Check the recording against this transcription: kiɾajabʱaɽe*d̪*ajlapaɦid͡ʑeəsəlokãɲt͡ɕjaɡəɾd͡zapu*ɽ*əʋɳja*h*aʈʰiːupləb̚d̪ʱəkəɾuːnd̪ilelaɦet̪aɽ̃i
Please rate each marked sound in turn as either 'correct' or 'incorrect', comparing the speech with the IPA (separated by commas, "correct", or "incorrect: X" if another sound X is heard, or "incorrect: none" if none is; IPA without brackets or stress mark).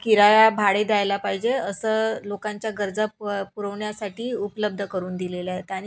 correct, incorrect: ɾ, incorrect: s